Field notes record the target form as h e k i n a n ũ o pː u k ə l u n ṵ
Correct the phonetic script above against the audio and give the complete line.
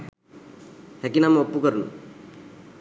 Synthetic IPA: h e k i n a m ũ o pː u k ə ɾ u n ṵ